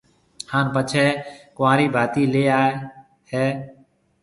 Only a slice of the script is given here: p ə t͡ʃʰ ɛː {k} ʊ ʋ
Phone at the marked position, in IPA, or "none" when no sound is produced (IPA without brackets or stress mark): k